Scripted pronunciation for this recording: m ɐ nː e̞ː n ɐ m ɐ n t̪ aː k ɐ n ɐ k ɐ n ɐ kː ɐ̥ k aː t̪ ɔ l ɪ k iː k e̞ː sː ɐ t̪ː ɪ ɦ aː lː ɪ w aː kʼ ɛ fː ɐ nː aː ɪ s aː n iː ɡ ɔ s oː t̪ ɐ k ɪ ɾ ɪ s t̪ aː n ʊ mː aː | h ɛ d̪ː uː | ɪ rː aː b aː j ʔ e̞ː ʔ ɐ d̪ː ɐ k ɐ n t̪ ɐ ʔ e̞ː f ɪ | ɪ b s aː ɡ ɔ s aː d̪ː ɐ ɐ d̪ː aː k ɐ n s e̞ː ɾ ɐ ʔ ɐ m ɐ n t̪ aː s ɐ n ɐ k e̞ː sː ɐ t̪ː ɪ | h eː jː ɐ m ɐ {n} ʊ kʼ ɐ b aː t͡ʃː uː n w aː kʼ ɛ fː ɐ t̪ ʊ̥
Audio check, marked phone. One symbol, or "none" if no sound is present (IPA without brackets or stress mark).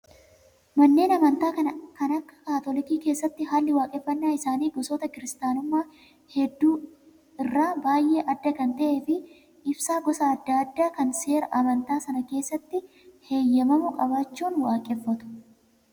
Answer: m